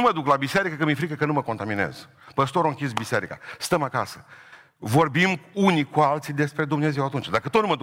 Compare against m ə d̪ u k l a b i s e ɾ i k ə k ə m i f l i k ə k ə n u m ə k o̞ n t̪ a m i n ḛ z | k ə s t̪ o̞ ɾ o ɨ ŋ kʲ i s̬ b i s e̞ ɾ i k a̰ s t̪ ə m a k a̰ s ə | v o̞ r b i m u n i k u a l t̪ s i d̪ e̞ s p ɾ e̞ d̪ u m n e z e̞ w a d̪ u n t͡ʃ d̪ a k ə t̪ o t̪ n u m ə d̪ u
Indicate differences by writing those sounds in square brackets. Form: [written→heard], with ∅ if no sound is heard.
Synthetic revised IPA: m ə d̪ u k l a b i s e ɾ i k ə k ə m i f [l→ɾ] i k ə k ə n u m ə k o̞ n t̪ a m i n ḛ z | [k→p] ə s t̪ o̞ ɾ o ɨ ŋ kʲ i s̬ b i s e̞ ɾ i k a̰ s t̪ ə m a k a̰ s ə | v o̞ r b i m u n i k u a l t̪ s i d̪ e̞ s p ɾ e̞ d̪ u m n e z e̞ w a [d̪→t̪] u n t͡ʃ d̪ a k ə t̪ o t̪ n u m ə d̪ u